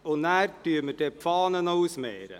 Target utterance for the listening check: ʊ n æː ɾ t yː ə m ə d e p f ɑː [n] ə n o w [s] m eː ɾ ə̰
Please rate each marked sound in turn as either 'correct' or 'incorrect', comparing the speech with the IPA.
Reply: correct, correct

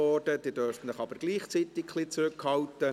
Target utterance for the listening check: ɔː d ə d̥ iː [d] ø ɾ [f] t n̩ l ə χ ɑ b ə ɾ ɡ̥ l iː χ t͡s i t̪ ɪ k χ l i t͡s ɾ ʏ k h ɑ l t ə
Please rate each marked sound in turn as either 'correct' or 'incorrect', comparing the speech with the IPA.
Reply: correct, correct

